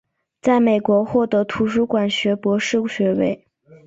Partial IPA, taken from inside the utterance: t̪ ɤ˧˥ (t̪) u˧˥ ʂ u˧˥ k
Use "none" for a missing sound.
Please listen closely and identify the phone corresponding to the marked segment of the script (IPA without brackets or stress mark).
t̪ʰ